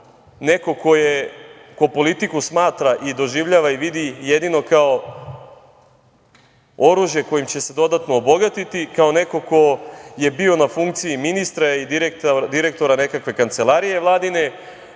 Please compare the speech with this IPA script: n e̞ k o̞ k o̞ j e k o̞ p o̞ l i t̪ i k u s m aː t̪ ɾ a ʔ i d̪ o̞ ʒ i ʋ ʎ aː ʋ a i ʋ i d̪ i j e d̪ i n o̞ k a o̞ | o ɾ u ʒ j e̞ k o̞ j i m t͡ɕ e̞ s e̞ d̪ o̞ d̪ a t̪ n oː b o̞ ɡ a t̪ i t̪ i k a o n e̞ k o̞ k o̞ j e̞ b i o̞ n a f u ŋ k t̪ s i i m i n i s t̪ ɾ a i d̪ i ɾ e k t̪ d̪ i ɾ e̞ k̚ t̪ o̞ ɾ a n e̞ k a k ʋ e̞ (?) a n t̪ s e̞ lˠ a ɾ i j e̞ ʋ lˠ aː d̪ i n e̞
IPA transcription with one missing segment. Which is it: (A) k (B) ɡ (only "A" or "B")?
A